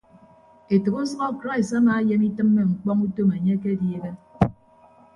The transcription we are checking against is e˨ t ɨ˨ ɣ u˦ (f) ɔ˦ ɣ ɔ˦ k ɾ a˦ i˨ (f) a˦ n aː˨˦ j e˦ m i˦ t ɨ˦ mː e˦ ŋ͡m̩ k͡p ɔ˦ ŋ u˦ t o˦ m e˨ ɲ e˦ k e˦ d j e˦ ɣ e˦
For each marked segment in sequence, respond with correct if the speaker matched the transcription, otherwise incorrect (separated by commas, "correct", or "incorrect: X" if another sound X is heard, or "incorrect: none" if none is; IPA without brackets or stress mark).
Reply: incorrect: s, incorrect: s